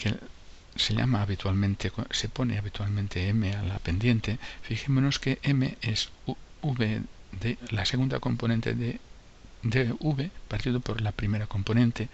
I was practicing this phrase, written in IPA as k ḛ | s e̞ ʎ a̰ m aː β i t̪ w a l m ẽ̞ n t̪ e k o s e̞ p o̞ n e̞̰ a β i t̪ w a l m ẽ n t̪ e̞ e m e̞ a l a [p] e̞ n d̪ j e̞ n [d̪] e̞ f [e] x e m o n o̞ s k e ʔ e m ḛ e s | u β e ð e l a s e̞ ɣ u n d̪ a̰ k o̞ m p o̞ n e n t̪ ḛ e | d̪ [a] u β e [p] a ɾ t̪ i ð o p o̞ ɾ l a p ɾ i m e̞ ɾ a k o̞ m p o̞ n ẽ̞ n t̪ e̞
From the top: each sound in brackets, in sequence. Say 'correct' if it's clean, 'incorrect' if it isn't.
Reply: correct, incorrect: t̪, incorrect: i, incorrect: e, correct

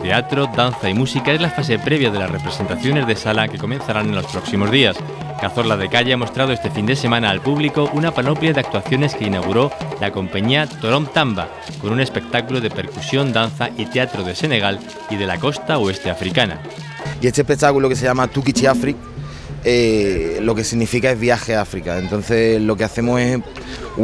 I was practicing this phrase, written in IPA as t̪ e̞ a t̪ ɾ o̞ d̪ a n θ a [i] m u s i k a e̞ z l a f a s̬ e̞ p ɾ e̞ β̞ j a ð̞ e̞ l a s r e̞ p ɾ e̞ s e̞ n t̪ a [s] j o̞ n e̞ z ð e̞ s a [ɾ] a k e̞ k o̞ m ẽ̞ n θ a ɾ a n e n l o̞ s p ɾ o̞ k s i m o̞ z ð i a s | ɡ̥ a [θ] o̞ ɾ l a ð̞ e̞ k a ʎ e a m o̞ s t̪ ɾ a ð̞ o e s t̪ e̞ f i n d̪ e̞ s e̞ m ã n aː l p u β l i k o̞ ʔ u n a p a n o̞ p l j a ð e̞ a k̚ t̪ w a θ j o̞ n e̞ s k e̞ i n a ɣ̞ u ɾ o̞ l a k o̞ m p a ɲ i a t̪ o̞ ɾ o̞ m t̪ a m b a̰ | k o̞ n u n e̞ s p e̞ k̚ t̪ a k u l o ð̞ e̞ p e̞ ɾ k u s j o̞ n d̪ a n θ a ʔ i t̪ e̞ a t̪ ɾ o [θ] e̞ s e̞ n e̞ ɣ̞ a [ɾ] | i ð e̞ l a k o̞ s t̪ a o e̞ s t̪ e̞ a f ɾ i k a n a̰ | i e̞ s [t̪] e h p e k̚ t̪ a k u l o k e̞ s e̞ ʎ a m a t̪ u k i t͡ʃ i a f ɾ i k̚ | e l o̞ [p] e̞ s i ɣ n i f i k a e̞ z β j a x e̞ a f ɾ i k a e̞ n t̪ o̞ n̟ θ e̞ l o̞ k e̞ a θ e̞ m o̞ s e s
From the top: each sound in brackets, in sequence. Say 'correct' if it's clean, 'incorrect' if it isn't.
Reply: correct, incorrect: θ, incorrect: l, correct, incorrect: ð, incorrect: l, correct, incorrect: k

